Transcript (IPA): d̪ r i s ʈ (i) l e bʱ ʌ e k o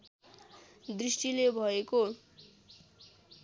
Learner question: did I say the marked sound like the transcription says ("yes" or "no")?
yes